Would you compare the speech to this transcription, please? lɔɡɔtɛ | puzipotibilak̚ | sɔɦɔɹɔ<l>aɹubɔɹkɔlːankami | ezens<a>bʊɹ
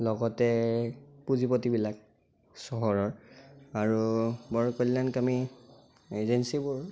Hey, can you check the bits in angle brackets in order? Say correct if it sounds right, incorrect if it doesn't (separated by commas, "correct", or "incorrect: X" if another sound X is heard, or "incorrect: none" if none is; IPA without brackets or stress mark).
incorrect: ɹ, incorrect: i